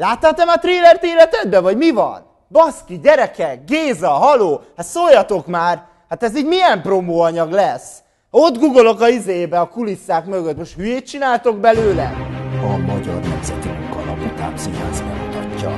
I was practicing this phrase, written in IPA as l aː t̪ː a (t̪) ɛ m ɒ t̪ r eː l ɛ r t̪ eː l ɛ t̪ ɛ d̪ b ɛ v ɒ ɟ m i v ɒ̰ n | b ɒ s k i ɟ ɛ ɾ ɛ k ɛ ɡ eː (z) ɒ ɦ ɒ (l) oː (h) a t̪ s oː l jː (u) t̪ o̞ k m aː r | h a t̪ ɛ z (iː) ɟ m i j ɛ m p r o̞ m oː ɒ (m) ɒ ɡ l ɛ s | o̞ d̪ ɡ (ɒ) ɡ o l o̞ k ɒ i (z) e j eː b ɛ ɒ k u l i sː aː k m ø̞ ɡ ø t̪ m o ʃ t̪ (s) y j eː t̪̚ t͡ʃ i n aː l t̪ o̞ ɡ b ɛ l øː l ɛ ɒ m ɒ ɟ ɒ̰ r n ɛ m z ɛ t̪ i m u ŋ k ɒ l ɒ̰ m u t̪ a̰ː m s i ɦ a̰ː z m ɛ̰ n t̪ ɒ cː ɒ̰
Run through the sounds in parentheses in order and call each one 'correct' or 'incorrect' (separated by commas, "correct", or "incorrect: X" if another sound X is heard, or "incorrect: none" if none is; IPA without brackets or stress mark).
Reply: correct, correct, correct, correct, incorrect: ɒ, correct, incorrect: ɲ, incorrect: u, correct, incorrect: h